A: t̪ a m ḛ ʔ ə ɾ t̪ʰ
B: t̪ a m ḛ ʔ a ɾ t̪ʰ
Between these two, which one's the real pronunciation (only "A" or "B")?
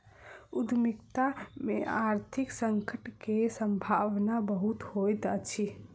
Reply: B